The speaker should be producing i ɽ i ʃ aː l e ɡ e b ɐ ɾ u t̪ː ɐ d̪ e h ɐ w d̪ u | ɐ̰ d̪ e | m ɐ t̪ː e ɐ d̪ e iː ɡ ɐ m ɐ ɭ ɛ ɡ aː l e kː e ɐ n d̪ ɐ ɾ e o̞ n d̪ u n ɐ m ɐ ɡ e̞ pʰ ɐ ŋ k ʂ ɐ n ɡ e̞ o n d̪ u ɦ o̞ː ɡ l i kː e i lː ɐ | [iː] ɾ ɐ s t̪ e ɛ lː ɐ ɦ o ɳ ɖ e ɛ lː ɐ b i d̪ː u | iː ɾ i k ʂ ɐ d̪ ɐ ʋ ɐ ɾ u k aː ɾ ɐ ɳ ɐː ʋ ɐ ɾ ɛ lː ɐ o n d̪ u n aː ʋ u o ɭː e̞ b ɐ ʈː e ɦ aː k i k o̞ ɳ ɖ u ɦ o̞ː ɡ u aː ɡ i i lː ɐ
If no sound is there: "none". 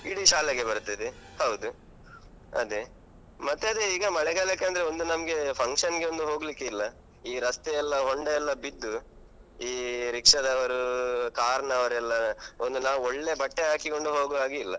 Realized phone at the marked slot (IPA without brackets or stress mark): iː